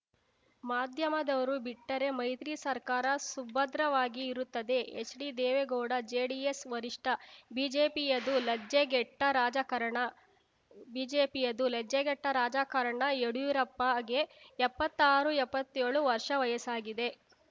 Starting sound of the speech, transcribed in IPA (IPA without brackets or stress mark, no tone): m